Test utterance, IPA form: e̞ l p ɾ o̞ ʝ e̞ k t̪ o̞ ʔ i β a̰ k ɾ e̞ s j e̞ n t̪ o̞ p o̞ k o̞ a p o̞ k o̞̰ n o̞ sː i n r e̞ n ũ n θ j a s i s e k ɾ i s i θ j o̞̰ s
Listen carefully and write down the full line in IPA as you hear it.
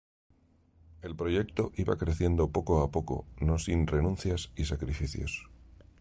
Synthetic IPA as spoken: e̞ l p ɾ o̞ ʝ e̞ k t̪ o̞ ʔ i β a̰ k ɾ e̞ θ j e̞ n d̪ o̞ p o̞ k o̞ a p o̞ k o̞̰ n o̞ s i n r e̞ n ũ n θ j a s i s a k ɾ i f i θ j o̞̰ s